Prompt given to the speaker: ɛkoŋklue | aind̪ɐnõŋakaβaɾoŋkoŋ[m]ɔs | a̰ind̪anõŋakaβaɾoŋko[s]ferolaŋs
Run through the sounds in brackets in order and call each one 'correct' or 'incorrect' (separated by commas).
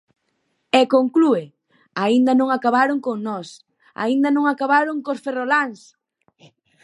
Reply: incorrect, correct